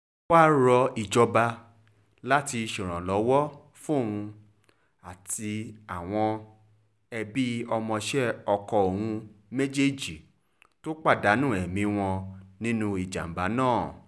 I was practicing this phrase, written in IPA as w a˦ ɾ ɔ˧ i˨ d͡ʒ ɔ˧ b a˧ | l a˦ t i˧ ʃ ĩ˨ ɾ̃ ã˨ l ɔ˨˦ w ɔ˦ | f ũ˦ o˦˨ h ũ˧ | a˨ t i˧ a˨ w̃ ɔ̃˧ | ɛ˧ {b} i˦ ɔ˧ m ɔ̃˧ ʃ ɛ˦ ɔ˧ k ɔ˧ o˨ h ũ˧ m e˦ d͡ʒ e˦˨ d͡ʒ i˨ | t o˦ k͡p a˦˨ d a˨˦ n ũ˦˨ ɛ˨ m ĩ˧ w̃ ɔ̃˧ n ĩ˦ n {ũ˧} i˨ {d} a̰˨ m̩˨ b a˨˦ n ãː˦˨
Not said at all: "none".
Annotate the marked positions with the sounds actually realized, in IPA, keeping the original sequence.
b, ũ˧, d͡ʒ

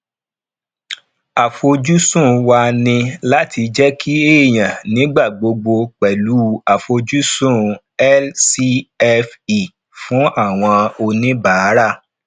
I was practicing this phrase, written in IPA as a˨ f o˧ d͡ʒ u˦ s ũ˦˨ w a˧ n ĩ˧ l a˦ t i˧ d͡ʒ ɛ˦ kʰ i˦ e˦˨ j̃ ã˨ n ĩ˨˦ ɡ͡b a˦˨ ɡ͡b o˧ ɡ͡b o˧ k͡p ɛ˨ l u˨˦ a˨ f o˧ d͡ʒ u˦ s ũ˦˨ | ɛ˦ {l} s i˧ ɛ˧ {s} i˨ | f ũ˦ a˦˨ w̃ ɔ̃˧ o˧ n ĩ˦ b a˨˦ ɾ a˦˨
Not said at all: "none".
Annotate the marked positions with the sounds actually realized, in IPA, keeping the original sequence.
l, f

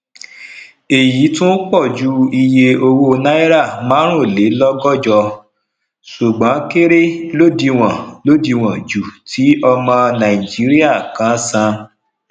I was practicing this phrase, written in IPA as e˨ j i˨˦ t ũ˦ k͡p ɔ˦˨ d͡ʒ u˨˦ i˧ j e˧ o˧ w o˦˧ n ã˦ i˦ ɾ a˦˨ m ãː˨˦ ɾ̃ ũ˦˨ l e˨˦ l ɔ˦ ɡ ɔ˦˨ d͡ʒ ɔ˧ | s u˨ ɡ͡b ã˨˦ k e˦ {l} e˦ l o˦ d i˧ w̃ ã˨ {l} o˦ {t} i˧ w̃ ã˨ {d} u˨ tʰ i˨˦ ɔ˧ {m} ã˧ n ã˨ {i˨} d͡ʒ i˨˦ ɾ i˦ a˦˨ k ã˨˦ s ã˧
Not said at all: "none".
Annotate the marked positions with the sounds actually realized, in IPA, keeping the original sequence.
ɾ, l, d, d͡ʒ, m, i˨

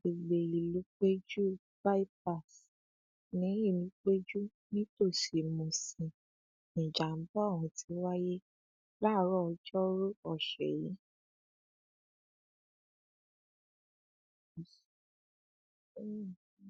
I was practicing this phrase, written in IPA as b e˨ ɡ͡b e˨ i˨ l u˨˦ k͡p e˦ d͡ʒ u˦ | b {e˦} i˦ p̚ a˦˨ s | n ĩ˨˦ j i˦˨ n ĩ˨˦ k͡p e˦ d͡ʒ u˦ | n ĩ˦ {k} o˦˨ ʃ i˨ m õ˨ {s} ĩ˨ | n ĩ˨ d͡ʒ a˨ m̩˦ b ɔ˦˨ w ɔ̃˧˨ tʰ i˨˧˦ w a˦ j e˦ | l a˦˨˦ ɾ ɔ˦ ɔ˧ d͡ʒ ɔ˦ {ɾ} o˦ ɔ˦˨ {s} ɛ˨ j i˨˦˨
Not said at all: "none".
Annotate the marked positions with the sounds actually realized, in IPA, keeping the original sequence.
a˦, t, s, ɾ, ʃ

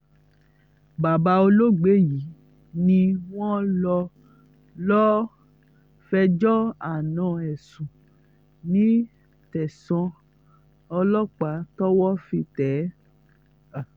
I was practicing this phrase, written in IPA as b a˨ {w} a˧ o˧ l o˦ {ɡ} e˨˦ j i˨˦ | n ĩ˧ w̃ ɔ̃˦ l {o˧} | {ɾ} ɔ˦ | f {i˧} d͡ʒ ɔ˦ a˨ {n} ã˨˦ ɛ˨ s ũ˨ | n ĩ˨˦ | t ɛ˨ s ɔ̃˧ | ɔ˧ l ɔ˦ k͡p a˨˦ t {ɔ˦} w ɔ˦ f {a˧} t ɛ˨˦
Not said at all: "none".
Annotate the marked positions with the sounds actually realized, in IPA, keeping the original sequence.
b, ɡ͡b, ɔ˧, l, ɛ˧, n, ɔ˦, i˧

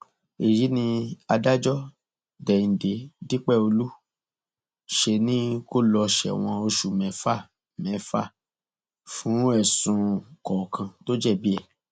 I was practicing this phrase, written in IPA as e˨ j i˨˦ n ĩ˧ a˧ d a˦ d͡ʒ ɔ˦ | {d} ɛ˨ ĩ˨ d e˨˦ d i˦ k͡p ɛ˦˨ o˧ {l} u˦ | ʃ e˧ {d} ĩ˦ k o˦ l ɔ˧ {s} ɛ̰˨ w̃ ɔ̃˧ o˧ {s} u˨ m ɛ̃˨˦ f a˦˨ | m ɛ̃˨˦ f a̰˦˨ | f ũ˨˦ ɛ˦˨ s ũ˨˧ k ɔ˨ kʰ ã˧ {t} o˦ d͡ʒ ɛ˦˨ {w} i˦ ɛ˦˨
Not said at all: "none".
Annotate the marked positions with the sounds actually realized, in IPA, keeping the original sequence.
d, l, n, ʃ, ʃ, t, b

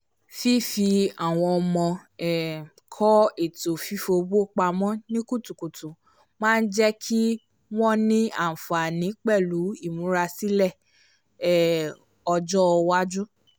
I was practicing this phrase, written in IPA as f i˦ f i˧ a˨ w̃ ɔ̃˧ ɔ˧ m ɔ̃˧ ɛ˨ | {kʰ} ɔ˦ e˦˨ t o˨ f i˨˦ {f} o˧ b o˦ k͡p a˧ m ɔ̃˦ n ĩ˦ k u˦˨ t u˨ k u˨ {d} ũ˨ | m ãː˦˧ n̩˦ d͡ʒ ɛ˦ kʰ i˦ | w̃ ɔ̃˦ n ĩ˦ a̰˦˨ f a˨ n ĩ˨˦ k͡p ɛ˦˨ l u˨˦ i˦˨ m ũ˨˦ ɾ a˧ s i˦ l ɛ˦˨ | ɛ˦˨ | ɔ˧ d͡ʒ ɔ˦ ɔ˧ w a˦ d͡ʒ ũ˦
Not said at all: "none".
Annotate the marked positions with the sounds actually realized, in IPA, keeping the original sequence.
kʰ, f, t

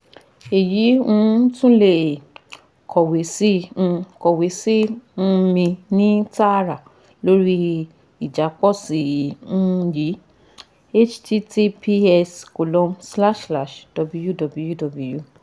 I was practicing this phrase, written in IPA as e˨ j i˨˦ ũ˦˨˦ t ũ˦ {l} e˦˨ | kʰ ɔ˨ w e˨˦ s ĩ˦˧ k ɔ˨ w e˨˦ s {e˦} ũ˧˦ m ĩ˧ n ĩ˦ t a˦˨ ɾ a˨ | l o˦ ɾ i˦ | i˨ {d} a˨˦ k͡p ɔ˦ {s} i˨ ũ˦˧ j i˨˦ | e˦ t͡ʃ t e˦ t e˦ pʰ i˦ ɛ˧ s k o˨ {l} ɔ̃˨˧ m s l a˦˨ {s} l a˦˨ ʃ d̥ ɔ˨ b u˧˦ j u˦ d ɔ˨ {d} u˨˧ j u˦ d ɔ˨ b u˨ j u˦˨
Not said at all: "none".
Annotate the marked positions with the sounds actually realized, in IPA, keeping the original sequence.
l, i˦, d͡ʒ, s, l, ʃ, b

